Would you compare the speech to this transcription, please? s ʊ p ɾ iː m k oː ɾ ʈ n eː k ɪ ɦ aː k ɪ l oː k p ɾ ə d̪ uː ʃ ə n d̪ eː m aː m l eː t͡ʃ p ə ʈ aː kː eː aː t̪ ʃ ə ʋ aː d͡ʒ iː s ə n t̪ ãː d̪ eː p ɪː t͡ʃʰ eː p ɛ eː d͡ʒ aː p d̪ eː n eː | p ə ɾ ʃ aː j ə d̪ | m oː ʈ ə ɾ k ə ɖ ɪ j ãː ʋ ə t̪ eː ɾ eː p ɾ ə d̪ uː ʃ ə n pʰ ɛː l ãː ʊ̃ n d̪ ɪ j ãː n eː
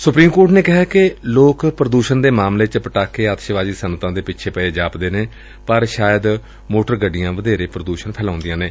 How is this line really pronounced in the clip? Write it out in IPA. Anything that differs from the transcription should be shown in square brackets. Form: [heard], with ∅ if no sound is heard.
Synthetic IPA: s ʊ p ɾ iː m k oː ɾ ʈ n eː k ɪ ɦ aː k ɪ l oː k p ɾ ə d̪ uː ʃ ə n d̪ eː m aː m l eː t͡ʃ p ə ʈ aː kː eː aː t̪ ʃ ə ʋ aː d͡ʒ iː s ə n t̪ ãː d̪ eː p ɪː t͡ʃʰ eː p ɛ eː d͡ʒ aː p d̪ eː n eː | p ə ɾ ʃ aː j ə d̪ | m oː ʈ ə ɾ [ɡ] ə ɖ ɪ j ãː ʋ ə [d̪] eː ɾ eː p ɾ ə d̪ uː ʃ ə n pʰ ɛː l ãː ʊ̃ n d̪ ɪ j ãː n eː

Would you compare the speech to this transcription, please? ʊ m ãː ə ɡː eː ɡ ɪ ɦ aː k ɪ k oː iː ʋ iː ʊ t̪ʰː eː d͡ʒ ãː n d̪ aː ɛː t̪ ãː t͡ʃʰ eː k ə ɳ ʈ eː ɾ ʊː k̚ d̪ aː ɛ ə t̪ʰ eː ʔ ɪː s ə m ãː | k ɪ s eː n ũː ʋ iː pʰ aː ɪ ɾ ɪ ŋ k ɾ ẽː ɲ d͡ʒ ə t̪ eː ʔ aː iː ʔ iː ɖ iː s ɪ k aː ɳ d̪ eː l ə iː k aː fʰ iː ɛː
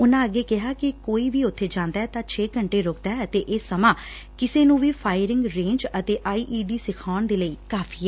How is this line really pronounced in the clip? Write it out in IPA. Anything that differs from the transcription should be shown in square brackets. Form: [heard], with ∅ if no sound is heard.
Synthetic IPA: ʊ [n] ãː ə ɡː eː [k] ɪ ɦ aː k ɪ k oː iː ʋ iː ʊ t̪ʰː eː d͡ʒ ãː n d̪ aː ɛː t̪ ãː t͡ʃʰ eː k ə ɳ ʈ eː ɾ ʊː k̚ d̪ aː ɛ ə [t̪] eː ʔ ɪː s ə m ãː | k ɪ s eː n ũː ʋ iː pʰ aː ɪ ɾ ɪ ŋ [ɡ] ɾ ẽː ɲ d͡ʒ ə t̪ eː ʔ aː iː ʔ iː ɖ iː s ɪ [kʰ] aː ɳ d̪ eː l ə iː k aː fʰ iː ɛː

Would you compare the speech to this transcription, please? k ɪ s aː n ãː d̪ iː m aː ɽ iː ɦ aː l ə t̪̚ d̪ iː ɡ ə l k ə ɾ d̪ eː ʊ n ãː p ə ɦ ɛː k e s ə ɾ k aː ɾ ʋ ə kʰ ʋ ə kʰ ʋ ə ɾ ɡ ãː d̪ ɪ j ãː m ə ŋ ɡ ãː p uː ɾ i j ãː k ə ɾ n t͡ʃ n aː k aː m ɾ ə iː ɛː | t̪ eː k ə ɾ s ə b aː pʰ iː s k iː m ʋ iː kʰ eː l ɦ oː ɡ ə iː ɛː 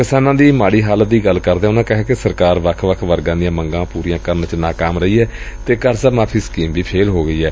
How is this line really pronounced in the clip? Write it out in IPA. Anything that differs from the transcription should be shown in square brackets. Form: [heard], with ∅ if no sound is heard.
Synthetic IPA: k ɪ s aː n ãː d̪ iː m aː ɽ iː ɦ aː l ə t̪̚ d̪ iː ɡ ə l k ə ɾ d̪ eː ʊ n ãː [k] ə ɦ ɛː k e s ə ɾ k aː ɾ ʋ ə kʰ ʋ ə kʰ ʋ ə ɾ ɡ ãː d̪ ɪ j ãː m ə ŋ ɡ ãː p uː ɾ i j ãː k ə ɾ n t͡ʃ n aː k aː m ɾ ə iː ɛː | t̪ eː k ə ɾ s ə [m] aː pʰ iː s k iː m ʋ iː [pʰ] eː l ɦ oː ɡ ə iː ɛː

